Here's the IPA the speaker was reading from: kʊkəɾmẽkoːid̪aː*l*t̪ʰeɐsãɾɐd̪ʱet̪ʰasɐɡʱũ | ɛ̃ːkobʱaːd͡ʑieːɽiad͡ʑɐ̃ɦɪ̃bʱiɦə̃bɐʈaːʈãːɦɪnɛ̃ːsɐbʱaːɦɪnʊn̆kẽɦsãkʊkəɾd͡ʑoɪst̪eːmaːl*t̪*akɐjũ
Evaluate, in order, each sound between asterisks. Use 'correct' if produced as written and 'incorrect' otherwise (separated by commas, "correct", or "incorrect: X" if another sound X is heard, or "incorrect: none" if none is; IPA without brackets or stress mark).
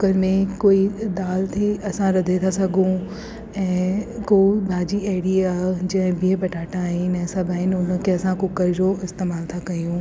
correct, incorrect: t̪ʰ